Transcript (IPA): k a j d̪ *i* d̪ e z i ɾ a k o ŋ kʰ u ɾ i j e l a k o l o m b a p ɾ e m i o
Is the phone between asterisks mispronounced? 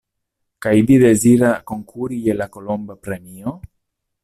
no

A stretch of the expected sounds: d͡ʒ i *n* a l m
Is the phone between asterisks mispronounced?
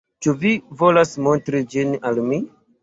no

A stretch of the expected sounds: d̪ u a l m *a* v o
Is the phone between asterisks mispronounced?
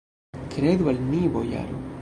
yes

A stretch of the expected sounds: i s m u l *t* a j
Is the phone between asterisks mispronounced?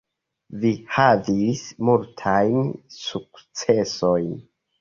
yes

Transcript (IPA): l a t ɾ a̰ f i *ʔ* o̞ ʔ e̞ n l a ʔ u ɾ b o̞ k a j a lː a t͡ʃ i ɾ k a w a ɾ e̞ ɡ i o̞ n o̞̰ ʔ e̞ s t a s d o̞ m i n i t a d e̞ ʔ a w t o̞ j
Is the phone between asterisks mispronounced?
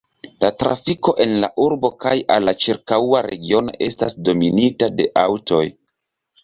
yes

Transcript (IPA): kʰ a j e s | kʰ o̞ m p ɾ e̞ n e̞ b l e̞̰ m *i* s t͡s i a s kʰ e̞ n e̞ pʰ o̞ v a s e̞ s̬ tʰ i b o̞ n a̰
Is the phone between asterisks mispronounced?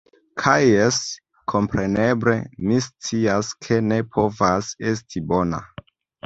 no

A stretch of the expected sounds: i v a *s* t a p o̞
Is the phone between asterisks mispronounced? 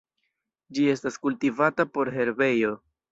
yes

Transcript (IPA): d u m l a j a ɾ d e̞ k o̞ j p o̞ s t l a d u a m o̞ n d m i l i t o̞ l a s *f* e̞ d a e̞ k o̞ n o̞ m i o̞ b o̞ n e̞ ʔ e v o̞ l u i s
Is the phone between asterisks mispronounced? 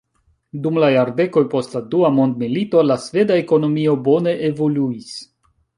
yes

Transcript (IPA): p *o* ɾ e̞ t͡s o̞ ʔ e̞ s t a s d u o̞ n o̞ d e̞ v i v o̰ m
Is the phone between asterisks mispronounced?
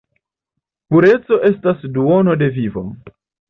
yes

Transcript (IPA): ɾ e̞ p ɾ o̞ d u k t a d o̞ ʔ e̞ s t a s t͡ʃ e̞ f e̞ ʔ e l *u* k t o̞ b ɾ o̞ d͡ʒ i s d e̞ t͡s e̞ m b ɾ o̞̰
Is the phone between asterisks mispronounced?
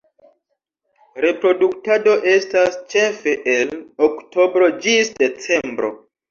yes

